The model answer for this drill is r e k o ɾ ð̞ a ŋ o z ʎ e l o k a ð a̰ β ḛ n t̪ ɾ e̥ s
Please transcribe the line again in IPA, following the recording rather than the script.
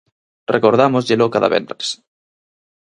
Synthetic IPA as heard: r e k o ɾ ð̞ a m o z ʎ e l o k a ð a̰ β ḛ n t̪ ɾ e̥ s